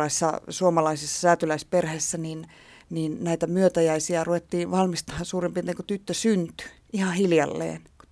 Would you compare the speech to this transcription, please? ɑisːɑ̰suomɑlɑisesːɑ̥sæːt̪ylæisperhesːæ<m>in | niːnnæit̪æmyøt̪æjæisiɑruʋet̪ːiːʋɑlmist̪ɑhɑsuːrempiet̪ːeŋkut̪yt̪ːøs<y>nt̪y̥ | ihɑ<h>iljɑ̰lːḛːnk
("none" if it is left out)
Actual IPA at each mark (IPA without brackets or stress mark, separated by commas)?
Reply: n, y, h